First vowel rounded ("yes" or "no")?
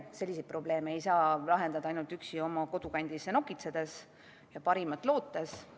no